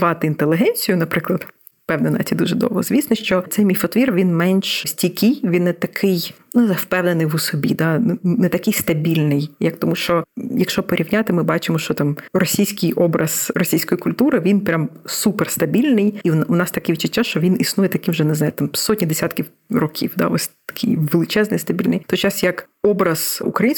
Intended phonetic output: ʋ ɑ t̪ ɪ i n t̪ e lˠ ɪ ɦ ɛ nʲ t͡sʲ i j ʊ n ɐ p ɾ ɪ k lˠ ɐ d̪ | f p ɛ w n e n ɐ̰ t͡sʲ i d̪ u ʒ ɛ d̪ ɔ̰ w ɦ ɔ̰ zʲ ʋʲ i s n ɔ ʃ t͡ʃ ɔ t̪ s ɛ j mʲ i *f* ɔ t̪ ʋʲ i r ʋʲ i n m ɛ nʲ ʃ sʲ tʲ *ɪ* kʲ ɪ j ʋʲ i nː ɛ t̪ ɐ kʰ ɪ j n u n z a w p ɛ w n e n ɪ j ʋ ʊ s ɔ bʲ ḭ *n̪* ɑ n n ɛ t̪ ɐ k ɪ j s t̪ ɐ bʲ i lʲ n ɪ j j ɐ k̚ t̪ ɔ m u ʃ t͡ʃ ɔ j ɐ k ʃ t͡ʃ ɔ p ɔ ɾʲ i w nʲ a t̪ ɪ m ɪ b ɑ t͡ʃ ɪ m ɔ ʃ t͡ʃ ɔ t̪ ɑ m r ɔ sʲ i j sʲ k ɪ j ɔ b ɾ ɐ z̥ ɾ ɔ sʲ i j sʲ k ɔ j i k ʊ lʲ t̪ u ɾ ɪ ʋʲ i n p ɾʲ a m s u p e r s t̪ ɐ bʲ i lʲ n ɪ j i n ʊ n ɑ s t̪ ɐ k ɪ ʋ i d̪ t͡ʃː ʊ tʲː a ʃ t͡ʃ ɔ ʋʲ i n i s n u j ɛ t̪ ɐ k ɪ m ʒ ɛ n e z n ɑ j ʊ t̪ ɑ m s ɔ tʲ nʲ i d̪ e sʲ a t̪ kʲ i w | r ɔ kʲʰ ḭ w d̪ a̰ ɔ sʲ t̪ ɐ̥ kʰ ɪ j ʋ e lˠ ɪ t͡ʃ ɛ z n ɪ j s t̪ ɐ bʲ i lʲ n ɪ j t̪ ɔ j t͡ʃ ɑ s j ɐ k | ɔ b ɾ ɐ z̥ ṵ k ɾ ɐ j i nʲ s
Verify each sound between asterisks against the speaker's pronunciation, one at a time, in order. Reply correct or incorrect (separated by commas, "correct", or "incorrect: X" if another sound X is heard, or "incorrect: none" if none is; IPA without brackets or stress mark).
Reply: correct, incorrect: i, incorrect: d̪